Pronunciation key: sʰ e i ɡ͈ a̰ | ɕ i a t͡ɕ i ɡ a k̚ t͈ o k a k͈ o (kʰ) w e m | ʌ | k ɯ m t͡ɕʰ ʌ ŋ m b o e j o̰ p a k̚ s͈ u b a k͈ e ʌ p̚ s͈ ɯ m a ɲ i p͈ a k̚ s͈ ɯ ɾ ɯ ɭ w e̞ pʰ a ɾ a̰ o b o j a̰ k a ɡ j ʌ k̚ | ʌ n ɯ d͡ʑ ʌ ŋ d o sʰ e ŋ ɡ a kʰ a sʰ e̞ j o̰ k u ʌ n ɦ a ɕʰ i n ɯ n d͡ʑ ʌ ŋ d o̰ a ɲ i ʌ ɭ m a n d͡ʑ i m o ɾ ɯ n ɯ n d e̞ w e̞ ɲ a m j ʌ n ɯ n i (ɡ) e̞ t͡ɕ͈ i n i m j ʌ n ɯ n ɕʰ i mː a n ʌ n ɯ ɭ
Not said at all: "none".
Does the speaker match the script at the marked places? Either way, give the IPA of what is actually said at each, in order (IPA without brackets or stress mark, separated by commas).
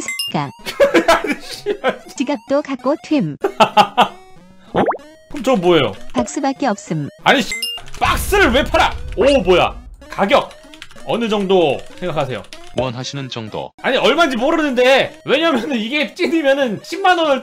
tʰ, ɡ